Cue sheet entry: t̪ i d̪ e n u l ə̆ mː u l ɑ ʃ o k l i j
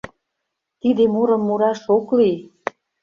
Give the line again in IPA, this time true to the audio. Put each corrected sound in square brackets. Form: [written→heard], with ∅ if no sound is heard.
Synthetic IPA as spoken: t̪ i d̪ e [n→m] u [l→ɾ] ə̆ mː u [l→ɾ] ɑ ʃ o k l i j